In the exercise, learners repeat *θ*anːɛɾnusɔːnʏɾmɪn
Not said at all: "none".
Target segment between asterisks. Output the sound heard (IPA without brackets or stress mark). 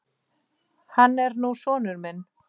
h